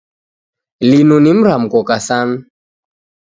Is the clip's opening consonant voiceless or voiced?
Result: voiced